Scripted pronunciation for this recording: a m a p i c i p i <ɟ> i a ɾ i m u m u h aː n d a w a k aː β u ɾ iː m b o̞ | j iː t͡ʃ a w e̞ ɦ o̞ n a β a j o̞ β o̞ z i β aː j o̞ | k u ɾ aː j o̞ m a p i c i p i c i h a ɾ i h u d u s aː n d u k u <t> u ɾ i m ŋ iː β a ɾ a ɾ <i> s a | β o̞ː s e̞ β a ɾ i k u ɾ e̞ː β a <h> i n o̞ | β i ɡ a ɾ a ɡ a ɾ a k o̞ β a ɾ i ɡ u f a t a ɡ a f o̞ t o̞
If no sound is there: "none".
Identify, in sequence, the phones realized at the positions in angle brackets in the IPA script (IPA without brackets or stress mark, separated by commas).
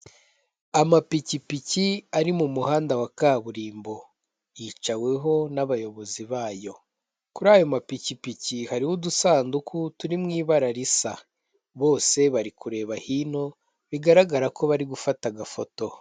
c, t, i, h